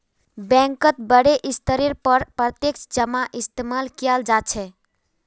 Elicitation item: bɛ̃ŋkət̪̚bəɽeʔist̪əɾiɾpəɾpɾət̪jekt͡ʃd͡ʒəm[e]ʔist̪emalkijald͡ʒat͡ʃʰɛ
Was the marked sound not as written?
yes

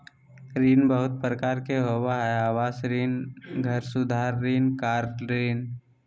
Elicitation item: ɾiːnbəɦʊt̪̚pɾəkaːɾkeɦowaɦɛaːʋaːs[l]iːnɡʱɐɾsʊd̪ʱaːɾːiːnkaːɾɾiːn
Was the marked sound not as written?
yes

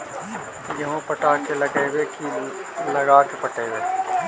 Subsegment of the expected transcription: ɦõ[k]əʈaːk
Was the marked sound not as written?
yes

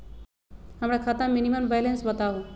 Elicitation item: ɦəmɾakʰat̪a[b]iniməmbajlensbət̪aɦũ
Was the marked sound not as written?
yes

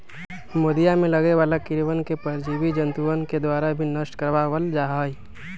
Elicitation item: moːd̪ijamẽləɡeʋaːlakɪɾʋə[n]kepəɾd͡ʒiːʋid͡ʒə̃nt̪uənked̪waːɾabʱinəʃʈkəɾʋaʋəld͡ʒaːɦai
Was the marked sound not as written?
no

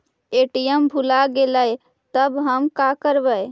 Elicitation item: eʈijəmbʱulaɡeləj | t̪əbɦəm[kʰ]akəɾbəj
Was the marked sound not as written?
yes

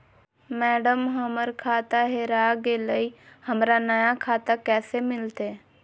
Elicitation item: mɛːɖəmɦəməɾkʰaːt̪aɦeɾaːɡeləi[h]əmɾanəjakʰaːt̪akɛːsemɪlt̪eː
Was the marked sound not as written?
no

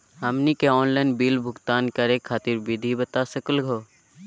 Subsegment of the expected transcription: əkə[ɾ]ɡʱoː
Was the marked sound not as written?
yes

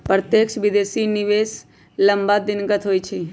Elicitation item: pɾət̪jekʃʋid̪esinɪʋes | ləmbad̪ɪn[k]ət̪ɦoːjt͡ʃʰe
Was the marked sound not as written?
yes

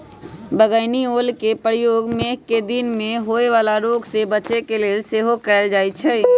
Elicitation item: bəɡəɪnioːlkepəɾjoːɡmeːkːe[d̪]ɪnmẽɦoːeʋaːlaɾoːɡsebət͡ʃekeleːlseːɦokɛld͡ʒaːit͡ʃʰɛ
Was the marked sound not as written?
no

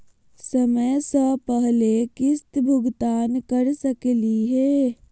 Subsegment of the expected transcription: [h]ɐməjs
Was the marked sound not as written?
yes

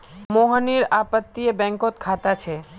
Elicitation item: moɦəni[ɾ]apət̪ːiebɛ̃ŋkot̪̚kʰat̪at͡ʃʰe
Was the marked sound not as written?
no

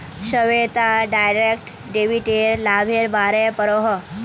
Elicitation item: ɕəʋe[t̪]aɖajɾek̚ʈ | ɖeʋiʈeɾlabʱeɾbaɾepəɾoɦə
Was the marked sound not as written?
no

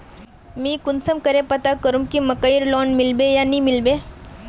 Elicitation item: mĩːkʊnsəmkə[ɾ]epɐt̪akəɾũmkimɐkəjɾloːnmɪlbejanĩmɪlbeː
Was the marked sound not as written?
no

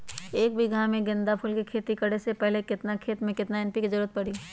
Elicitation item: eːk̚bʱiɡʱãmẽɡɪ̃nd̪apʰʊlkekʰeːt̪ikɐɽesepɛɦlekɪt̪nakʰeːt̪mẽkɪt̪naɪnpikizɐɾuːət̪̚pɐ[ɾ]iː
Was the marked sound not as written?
yes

